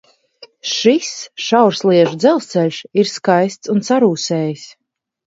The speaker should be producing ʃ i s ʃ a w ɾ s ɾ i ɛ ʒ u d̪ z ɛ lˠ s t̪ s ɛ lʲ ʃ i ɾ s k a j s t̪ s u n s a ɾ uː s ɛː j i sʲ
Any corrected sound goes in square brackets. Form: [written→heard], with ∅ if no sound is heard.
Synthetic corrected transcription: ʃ i s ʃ a w ɾ s [ɾ→l] i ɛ ʒ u d̪ z ɛ lˠ s t̪ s ɛ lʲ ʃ i ɾ s k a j s t̪ s u n s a ɾ uː s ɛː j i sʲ